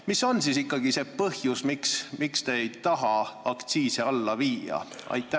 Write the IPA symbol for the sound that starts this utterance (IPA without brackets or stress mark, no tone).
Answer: m